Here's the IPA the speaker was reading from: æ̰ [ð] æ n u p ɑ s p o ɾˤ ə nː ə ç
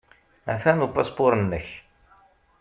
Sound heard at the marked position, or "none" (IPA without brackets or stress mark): θ